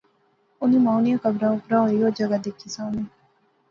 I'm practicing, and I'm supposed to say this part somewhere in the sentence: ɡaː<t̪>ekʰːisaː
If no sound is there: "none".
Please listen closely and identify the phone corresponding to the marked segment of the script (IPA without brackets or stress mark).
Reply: d̪